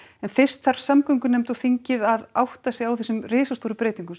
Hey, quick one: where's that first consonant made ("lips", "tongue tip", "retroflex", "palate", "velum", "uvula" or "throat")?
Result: tongue tip